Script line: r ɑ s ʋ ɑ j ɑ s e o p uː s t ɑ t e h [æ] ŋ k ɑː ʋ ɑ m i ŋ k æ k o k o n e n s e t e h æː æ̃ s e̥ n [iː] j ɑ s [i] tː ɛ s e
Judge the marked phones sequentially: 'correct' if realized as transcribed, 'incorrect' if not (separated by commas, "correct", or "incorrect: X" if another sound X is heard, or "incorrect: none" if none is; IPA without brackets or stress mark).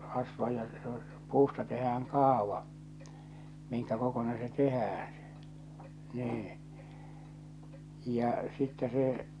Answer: incorrect: æː, correct, correct